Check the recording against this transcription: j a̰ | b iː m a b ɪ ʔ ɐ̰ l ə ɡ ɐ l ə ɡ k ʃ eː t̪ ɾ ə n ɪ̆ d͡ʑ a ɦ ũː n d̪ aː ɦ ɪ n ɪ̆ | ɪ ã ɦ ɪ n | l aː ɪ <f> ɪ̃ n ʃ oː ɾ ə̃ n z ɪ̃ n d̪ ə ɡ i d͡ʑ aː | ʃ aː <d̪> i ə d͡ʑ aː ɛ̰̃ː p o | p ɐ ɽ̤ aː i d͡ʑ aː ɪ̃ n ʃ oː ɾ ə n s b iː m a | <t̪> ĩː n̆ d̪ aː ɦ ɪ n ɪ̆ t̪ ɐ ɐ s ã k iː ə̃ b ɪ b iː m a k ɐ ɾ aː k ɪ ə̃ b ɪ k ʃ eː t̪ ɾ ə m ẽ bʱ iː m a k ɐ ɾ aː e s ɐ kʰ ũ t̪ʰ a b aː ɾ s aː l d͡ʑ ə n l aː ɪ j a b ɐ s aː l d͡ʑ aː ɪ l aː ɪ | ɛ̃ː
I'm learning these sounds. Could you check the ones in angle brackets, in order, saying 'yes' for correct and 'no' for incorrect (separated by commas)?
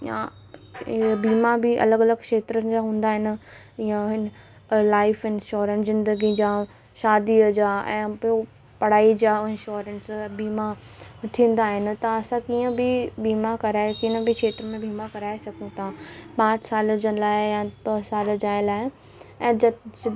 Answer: yes, yes, no